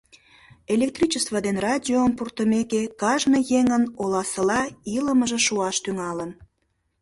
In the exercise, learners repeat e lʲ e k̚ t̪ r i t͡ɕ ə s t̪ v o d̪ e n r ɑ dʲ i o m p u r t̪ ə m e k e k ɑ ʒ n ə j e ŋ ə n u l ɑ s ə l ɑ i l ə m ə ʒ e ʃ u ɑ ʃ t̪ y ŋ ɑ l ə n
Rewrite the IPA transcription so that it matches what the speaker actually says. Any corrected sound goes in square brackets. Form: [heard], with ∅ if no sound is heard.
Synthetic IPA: e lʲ e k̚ t̪ r i t͡ɕ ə s t̪ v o d̪ e n r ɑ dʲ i o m p u r t̪ ə m e k e k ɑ ʒ n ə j e ŋ ə n [o] l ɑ s ə l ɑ i l ə m ə ʒ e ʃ u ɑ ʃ t̪ y ŋ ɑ l ə n